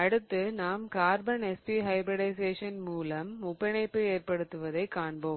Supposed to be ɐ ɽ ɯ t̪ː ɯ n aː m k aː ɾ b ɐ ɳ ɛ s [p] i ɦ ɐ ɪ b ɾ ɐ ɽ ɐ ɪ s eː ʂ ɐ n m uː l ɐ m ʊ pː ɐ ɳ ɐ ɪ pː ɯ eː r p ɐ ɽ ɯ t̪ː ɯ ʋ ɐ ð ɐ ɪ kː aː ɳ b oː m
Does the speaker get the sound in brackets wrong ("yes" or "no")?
no